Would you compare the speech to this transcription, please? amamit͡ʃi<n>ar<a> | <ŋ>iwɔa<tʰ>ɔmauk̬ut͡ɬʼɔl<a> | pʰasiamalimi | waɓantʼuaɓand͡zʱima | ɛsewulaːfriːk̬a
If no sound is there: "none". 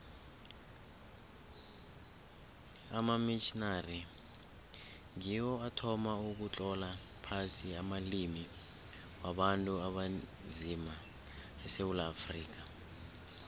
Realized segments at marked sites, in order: n, i, ŋ, tʰ, a

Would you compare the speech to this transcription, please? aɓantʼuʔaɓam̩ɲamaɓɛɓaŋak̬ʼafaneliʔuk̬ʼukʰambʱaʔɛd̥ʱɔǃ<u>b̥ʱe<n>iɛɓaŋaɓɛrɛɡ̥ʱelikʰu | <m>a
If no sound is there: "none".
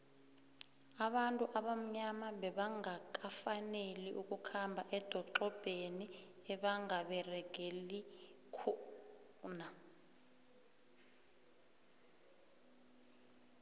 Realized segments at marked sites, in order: ɔ, n, n

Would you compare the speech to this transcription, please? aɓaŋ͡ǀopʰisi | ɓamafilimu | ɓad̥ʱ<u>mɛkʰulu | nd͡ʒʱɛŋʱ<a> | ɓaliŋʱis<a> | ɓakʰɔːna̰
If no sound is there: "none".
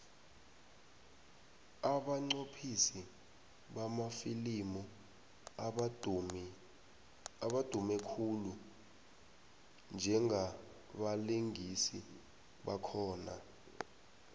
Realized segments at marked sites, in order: u, a, i

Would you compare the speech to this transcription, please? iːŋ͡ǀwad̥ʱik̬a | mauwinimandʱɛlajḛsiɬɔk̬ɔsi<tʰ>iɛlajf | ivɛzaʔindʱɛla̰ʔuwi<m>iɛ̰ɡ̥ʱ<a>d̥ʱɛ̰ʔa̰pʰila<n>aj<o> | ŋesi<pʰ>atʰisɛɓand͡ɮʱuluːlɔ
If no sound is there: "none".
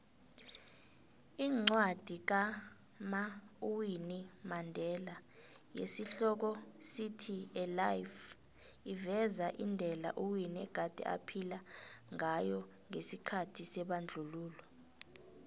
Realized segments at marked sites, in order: tʰ, n, a, ŋ, ɔ, kʰ

